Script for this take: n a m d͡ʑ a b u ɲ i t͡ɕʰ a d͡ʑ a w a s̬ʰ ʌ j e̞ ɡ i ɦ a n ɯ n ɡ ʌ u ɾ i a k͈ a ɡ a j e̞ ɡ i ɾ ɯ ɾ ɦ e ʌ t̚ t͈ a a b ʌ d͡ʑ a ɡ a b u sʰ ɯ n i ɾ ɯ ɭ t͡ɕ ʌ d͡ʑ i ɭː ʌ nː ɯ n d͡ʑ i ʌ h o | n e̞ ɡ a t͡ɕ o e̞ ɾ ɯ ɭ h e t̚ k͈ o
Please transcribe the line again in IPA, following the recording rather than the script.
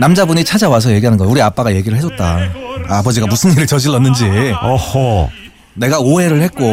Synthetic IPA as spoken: n a m d͡ʑ a b u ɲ i t͡ɕʰ a d͡ʑ a w a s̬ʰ ʌ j e̞ ɡ i ɦ a n ɯ n ɡ ʌ u ɾ i a p͈ a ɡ a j e̞ ɡ i ɾ ɯ ɭ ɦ e ʌ t̚ t͈ a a b ʌ d͡ʑ i ɡ a m u sʰ ɯ n i ɾ ɯ ɭ t͡ɕ ʌ d͡ʑ i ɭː ʌ nː ɯ n d͡ʑ i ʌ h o | n e̞ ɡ a o e̞ ɾ ɯ ɭ h e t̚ k͈ o